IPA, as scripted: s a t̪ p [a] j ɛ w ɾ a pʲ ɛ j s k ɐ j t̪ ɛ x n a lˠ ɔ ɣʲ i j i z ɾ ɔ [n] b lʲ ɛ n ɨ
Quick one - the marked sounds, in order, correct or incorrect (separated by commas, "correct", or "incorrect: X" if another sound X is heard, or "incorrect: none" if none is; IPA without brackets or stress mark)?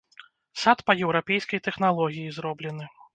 incorrect: ɐ, incorrect: none